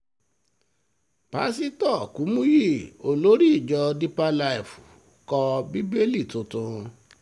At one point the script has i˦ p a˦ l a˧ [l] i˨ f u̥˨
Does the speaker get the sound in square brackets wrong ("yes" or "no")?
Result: yes